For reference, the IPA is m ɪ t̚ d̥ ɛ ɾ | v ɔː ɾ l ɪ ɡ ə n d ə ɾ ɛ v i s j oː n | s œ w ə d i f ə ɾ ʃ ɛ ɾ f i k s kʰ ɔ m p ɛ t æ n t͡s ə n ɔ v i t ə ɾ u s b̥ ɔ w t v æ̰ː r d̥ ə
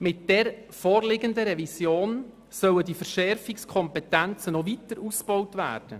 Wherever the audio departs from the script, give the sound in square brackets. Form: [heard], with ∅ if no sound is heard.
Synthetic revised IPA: m ɪ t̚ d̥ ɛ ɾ | [f] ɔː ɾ l ɪ ɡ ə n d ə ɾ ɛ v i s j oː n | s œ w ə d i f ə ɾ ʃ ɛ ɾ f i k s kʰ ɔ m p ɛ t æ n t͡s ə n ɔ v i t ə ɾ u s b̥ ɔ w t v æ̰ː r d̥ ə

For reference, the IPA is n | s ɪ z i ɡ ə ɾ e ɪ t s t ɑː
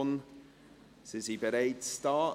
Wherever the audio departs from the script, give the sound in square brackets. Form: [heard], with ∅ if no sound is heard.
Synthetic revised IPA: n | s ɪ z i [b] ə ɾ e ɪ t s t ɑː

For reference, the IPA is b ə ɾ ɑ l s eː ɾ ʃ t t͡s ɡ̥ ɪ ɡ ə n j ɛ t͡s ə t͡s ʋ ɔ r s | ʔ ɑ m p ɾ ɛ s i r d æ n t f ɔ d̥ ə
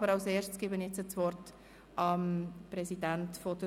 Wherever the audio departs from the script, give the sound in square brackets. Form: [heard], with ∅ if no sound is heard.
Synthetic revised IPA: b ə ɾ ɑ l s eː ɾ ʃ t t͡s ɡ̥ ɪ [b] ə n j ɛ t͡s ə t͡s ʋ ɔ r [t] | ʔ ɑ m p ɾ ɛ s i [∅] d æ n t f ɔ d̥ ə

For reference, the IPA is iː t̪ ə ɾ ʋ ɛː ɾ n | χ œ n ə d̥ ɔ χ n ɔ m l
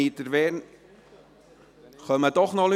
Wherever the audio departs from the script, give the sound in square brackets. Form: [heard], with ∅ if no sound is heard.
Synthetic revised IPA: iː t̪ ə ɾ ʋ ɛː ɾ n | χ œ [m] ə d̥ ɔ χ n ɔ [∅] l

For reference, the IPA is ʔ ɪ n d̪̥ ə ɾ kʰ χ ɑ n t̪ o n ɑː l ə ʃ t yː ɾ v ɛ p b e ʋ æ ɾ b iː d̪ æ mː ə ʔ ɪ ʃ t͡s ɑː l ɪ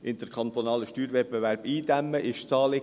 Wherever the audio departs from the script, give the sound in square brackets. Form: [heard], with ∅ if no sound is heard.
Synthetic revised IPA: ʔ ɪ n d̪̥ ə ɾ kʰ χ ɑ n t̪ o n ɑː l ə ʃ t yː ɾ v ɛ p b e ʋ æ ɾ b iː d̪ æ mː ə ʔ ɪ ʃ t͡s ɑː l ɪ

